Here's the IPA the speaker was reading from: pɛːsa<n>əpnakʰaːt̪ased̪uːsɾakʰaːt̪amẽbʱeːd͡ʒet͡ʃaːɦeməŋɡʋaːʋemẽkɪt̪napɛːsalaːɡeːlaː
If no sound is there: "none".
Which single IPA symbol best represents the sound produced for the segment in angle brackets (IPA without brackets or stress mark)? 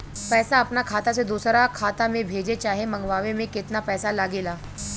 none